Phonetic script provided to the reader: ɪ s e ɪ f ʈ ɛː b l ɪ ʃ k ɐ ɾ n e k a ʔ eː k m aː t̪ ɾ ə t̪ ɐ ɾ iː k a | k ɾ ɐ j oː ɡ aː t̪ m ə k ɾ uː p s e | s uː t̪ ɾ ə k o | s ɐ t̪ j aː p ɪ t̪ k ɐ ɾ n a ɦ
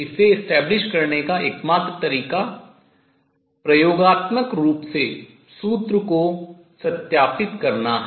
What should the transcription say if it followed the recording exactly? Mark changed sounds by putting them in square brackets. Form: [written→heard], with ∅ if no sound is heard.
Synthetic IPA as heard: ɪ s e ɪ [f→s] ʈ ɛː b l ɪ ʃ k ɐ ɾ n e k a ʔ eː k m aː t̪ ɾ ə t̪ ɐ ɾ iː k a | [k→p] ɾ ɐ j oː ɡ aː t̪ m ə k ɾ uː p s e | s uː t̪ ɾ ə k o | s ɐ t̪ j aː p ɪ t̪ k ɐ ɾ n a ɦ